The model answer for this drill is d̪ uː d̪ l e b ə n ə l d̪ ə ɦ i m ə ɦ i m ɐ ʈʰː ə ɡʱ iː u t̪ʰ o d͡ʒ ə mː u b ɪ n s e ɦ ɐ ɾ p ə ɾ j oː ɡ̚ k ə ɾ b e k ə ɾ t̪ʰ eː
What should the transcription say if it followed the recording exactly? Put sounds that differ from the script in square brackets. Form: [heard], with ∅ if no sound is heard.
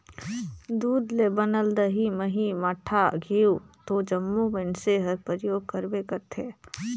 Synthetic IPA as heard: d̪ uː d̪ l e b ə n ə l d̪ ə ɦ i m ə ɦ i m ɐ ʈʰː [a] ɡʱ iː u [t̪] o d͡ʒ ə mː u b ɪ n s e ɦ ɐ ɾ p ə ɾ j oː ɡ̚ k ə ɾ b e k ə ɾ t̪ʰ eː